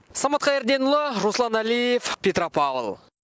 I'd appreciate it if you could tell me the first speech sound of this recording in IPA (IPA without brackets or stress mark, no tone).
s